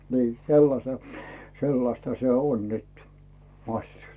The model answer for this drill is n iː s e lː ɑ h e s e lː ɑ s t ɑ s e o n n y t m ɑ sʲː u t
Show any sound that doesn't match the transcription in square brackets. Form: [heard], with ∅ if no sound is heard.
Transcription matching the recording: n iː s e lː ɑ [s] e s e lː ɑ s t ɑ s e o n n y t m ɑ sʲː u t

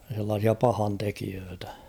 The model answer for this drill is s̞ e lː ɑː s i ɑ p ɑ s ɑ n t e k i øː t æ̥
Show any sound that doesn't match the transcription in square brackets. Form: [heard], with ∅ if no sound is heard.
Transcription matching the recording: s̞ e lː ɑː s i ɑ p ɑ [h] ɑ n t e k i øː t æ̥

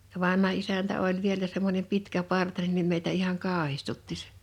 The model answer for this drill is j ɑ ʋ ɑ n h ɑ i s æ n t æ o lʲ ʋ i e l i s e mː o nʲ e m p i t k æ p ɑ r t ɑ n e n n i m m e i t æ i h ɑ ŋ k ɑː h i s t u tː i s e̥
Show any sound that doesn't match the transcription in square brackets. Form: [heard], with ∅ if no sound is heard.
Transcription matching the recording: j ɑ ʋ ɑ n h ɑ i s æ n t æ o lʲ ʋ i e l [æ] s e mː o nʲ e m p i t k æ p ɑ r t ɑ n e n n i m m e i t æ i h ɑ ŋ k ɑː h i s t u tː i s e̥

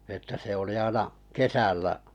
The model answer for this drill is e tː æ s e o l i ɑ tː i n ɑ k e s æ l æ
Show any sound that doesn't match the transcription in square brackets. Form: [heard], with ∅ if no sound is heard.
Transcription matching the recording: e tː æ s e o l i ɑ [∅] i n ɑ k e s æ [lː] æ

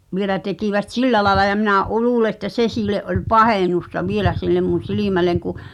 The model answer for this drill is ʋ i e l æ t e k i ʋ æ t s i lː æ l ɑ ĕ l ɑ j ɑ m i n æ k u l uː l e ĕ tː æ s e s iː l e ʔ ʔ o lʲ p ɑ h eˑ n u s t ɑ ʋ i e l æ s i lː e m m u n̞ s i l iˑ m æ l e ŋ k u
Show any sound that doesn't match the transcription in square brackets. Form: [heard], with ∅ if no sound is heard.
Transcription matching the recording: ʋ i e l æ t e k i ʋ æ t s i lː æ l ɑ ĕ l ɑ j ɑ m i n æ [ʔ] u l uː l e ĕ tː æ s e s iː l e ʔ ʔ o lʲ p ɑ h eˑ n u s t ɑ ʋ i e l æ s i lː e m m u n̞ s i l iˑ m æ l e ŋ k u

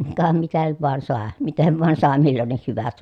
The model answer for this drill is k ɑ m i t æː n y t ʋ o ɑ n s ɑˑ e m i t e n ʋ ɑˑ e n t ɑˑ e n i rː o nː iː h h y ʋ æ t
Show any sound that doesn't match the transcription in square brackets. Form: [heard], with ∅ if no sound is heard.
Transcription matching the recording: k ɑ m i t [æ] n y t ʋ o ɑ n s ɑˑ e m i t e n ʋ ɑˑ e n [s] ɑˑ e [m] i [lː] o nː [i] h h y ʋ æ t

